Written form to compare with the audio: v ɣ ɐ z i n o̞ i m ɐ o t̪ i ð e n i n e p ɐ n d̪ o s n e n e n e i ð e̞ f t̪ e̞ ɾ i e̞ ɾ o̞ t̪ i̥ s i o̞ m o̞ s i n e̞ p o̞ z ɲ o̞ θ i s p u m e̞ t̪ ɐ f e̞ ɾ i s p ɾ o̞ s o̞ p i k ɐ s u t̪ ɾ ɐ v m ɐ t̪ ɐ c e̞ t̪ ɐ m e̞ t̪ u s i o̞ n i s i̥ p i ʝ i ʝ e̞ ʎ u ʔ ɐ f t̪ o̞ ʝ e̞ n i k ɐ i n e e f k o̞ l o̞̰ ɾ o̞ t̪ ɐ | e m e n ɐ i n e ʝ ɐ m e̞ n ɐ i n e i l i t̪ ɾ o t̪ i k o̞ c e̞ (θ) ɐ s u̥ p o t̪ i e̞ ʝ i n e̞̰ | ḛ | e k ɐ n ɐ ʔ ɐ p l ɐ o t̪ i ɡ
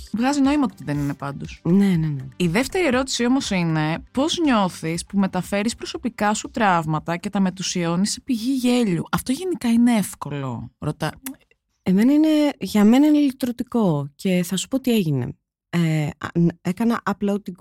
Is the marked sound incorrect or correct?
correct